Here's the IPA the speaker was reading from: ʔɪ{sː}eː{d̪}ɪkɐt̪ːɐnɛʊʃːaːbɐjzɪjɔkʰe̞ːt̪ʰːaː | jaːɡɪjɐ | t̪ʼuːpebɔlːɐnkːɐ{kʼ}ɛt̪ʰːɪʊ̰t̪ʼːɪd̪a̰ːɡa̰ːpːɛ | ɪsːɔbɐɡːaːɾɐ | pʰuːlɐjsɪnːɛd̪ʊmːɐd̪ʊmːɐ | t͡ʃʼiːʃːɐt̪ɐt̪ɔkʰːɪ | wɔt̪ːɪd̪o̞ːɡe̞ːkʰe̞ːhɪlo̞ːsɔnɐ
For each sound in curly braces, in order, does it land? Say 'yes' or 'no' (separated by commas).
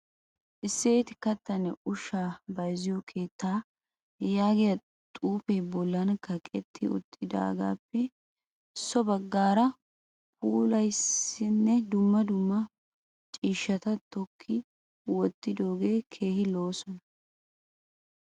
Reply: yes, no, yes